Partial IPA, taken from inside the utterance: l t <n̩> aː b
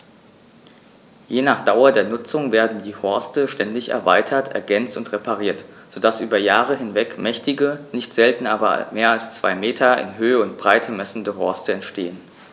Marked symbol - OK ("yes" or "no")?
yes